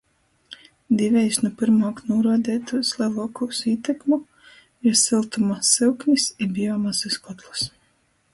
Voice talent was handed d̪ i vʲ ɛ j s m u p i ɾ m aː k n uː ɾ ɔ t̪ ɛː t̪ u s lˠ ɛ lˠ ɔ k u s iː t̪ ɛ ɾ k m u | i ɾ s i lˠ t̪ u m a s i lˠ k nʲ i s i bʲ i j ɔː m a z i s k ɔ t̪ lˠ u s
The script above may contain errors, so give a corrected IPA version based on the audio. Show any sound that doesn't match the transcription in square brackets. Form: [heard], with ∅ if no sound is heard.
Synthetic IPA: d̪ i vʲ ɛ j s [n] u p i ɾ m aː k n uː ɾ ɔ [d̪] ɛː t̪ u s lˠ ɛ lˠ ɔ k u s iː t̪ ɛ [∅] k m u | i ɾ s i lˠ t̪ u m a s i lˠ k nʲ i s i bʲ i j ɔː m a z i s k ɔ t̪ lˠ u s